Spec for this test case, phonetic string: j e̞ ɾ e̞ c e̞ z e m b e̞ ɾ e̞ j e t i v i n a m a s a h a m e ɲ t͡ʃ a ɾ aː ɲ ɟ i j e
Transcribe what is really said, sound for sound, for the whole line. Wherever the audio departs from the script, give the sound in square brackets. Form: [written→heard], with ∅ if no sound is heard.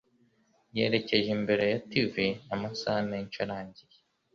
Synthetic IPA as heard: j e̞ ɾ e̞ c e̞ [z→ʒ] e m b e̞ ɾ e̞ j [e→a] t i v i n a m a s a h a m e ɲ t͡ʃ a ɾ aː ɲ ɟ i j e

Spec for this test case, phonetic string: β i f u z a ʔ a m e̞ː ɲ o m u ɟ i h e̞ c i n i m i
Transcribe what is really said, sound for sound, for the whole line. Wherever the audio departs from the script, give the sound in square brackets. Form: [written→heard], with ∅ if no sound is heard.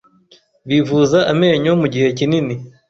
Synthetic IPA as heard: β i [f→v] u z a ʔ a m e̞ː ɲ o m u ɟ i h e̞ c i n i [m→n] i

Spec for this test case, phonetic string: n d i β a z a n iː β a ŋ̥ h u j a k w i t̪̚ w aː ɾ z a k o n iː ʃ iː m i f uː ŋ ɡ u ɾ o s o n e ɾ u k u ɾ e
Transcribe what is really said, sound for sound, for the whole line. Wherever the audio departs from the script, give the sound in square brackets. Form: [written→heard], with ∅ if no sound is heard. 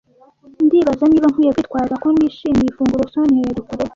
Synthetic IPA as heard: n d i β a z a n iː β a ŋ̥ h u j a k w i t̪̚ w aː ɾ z a k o n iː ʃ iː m i f uː ŋ ɡ u ɾ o s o n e ɾ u k u ɾ e

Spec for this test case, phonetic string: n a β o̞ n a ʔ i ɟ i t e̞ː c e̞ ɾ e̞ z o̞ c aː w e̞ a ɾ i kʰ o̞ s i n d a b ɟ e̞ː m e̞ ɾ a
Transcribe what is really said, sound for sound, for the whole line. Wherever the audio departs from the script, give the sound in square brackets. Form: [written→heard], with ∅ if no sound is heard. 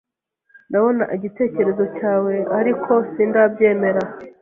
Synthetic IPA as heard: n a β o̞ n a ʔ i ɟ i t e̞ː c e̞ ɾ e̞ z o̞ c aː w e̞ a ɾ i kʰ o̞ s i n d a b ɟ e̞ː m e̞ ɾ a

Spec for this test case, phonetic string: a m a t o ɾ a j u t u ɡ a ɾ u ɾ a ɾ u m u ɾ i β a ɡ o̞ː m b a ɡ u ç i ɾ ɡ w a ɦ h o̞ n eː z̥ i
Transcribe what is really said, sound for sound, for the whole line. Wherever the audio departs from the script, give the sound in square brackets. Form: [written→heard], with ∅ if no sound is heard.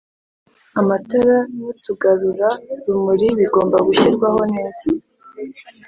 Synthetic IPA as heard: a m a t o ɾ a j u t u ɡ a ɾ u ɾ a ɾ u m u ɾ i β [a→i] ɡ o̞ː m b a ɡ u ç i ɾ ɡ w a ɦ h o̞ n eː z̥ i

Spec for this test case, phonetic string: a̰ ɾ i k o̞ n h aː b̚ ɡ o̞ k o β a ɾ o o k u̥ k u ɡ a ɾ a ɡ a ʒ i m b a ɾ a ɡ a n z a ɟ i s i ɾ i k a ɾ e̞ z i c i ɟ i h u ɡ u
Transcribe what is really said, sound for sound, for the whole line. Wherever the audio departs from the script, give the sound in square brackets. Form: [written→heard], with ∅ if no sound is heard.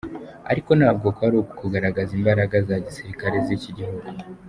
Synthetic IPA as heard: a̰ ɾ i k o̞ n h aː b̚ ɡ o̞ k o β a ɾ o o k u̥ k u ɡ a ɾ a ɡ a [ʒ→z] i m b a ɾ a ɡ a [n→∅] z a ɟ i s i ɾ i k a ɾ e̞ z i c i ɟ i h u ɡ u

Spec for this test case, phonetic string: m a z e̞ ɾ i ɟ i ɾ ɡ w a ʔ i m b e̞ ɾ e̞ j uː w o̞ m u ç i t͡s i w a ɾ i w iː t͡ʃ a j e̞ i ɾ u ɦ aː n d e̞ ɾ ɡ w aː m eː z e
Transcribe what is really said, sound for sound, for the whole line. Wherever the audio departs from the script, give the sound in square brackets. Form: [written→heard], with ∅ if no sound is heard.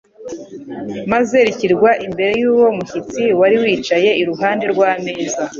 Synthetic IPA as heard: m a z e̞ ɾ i [ɟ→c] i ɾ ɡ w a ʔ i m b e̞ ɾ e̞ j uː w o̞ m u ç i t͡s i w a ɾ i w iː t͡ʃ a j e̞ i ɾ u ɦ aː n d e̞ ɾ ɡ w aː m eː z [e→a]

